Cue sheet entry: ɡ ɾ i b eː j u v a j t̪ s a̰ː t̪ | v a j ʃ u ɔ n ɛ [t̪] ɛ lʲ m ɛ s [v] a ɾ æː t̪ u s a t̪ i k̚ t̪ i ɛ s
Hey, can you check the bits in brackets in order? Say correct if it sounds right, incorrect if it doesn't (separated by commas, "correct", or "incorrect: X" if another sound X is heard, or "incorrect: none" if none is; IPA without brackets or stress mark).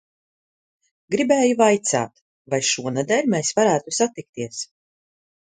incorrect: d̪, correct